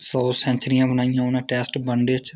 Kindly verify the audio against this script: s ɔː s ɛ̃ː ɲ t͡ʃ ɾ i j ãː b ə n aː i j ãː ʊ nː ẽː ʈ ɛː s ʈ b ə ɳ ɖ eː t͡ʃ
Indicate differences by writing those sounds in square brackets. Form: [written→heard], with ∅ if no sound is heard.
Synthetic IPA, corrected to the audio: s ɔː s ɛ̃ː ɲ t͡ʃ ɾ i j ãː b ə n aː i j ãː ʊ [nː→n] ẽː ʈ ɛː s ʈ b ə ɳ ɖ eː t͡ʃ